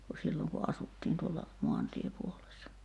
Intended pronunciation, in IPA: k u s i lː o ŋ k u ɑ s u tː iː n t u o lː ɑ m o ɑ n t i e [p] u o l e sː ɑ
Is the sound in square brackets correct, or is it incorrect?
correct